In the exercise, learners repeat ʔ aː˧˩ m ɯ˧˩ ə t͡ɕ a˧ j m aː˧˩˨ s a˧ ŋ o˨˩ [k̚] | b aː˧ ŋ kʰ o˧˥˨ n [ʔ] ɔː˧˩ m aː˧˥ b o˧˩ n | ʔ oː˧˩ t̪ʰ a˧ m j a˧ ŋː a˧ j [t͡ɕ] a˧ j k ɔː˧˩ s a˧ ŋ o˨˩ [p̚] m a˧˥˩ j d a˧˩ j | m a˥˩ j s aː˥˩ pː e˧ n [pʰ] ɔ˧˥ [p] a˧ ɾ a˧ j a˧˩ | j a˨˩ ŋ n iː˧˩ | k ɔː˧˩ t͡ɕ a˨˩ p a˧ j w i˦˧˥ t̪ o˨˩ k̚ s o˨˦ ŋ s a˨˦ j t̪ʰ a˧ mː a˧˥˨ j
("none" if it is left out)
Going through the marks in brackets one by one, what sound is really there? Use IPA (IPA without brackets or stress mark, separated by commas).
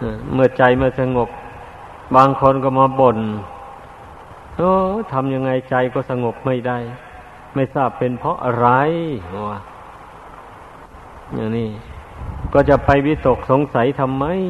p̚, k, t͡ɕ, p̚, pʰ, ʔ